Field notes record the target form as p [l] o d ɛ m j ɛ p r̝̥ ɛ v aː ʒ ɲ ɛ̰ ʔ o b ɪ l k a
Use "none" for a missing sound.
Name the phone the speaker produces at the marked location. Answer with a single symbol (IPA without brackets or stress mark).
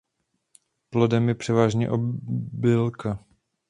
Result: l